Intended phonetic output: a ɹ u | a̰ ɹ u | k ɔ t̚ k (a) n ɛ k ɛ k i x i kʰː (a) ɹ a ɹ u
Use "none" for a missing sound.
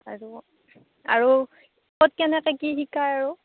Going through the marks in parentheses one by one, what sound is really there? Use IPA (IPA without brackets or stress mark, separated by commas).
ɛ, a